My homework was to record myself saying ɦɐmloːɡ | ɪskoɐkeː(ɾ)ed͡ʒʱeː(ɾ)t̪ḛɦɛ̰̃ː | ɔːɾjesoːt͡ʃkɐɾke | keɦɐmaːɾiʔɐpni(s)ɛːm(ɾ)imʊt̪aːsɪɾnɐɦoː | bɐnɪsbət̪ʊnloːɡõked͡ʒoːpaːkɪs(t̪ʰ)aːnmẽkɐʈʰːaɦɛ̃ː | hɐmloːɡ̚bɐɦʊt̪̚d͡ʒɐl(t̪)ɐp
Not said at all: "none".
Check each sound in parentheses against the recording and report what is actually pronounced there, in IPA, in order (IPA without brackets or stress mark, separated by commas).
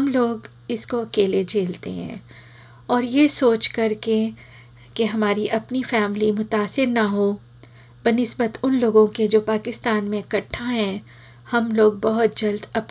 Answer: l, l, f, l, t̪, d̪